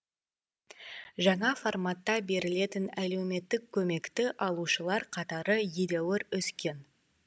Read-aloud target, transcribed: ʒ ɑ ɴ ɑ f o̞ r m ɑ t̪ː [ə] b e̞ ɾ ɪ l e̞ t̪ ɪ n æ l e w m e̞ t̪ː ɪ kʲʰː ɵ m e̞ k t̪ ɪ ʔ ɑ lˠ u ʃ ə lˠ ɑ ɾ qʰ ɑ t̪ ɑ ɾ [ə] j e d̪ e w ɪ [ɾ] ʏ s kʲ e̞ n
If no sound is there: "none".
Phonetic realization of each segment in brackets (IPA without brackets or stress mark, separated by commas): ɑ, ə, ɾ